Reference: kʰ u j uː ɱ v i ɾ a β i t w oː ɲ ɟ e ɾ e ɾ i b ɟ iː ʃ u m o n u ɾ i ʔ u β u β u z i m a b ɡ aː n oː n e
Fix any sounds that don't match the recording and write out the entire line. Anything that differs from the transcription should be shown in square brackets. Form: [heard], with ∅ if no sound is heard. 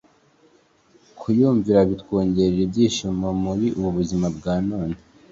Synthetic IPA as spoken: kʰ u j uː ɱ v i ɾ a β i t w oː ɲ ɟ e ɾ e ɾ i b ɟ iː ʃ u m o [m] u ɾ i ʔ u β u β u z i m a b ɡ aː n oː n e